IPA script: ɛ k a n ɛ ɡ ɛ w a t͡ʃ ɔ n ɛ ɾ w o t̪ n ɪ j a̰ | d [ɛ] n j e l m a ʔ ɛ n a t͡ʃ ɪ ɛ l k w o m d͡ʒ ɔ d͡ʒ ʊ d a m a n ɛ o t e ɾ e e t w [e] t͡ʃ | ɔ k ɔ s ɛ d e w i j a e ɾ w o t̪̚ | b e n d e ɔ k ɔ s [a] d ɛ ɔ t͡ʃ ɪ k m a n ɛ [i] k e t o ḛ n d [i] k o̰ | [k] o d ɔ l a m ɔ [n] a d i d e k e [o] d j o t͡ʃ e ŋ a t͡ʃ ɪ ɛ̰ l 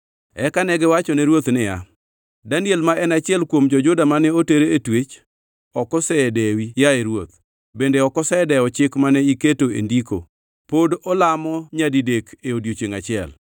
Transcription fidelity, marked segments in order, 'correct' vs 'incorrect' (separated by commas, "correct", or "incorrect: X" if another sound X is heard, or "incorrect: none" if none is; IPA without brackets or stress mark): incorrect: a, correct, incorrect: ɛ, correct, correct, incorrect: p, incorrect: ɲ, correct